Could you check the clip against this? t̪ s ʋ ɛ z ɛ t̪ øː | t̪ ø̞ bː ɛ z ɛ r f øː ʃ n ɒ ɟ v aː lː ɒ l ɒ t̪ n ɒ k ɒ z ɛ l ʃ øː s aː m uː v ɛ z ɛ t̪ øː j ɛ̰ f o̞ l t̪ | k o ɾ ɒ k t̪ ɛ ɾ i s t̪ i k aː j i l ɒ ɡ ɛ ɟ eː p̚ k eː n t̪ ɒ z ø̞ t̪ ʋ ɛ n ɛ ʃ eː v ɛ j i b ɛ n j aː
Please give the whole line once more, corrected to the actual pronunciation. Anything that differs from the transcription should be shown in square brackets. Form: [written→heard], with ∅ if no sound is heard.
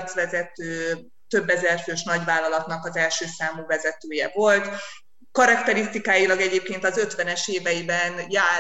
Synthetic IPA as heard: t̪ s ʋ ɛ z ɛ t̪ øː | t̪ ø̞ bː ɛ z ɛ r f øː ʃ n ɒ ɟ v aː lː ɒ l ɒ t̪ n ɒ k ɒ z ɛ l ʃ øː s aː m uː v ɛ z ɛ t̪ øː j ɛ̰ [f→v] o̞ l t̪ | k [o→ɒ] ɾ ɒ k t̪ ɛ ɾ i s t̪ i k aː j i l ɒ ɡ ɛ ɟ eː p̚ k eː n t̪ ɒ z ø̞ t̪ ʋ ɛ n ɛ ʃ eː v ɛ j i b ɛ n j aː